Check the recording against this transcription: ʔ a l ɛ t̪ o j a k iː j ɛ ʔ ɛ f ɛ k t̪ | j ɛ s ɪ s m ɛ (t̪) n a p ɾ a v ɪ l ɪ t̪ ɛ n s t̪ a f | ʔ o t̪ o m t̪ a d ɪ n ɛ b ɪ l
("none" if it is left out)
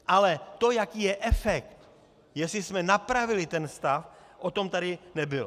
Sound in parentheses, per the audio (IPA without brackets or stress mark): none